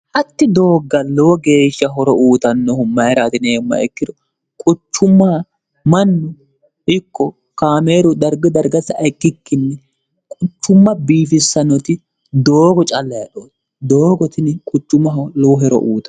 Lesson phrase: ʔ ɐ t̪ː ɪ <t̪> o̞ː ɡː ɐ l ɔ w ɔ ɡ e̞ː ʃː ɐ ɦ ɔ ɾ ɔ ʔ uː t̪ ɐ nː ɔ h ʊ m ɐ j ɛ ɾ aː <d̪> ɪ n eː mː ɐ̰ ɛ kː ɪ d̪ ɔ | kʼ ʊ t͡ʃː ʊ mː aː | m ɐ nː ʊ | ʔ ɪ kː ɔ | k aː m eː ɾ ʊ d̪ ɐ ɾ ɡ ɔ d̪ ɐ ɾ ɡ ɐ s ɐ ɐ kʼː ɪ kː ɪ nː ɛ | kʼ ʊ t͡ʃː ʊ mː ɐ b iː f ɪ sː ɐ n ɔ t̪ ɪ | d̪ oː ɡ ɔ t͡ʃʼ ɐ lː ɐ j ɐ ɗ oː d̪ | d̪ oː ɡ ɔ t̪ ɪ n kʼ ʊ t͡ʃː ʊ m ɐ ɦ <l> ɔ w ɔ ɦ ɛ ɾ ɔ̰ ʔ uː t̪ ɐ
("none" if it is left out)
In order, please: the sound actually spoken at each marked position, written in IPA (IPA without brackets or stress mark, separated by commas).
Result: d̪, t̪, l